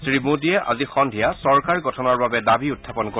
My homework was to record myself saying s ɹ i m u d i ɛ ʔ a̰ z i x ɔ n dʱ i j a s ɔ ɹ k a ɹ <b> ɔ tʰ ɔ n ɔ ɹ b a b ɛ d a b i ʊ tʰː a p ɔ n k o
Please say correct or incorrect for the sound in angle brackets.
incorrect